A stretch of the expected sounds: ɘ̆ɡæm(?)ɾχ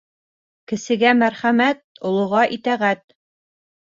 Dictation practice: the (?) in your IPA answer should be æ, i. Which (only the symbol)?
æ